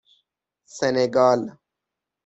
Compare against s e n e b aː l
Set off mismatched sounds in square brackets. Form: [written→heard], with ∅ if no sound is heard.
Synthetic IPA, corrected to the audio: s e n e [b→ɡ] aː l